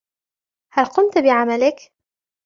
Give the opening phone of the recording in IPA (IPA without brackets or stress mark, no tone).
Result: h